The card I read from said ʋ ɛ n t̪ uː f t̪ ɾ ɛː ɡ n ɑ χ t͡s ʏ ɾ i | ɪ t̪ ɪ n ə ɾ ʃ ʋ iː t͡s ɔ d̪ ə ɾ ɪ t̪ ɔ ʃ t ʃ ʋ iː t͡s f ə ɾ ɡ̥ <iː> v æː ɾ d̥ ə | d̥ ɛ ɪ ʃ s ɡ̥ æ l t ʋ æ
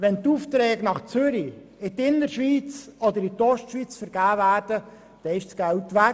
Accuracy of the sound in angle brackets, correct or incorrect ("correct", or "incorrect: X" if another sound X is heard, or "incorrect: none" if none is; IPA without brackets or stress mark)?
incorrect: æː